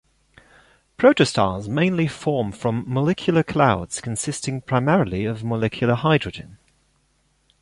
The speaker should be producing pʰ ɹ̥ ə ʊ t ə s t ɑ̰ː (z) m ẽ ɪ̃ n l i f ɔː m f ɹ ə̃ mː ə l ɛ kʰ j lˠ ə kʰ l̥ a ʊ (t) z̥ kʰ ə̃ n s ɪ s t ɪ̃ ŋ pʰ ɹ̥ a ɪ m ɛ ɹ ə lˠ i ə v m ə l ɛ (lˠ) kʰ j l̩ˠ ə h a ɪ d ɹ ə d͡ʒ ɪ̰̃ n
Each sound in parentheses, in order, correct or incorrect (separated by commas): correct, incorrect, incorrect